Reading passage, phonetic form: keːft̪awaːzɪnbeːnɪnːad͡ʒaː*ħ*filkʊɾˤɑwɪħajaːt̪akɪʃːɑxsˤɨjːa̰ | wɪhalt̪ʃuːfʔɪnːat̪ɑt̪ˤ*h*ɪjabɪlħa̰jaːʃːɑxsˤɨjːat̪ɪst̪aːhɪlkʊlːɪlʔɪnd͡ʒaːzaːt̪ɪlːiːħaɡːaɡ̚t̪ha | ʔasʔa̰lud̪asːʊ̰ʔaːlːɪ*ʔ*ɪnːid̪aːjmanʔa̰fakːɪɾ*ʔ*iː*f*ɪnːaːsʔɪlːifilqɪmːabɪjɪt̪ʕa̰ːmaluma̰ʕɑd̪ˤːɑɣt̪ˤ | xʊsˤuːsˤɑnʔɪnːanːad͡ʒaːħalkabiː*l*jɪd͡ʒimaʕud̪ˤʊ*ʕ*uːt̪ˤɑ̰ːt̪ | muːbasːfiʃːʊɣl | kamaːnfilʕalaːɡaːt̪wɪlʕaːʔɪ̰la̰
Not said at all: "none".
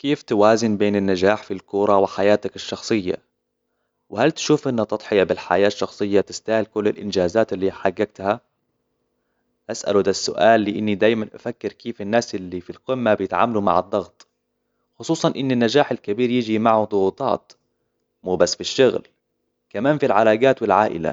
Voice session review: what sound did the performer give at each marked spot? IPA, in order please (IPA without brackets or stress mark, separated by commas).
ħ, ħ, ʔ, k, f, ɾ, ɣ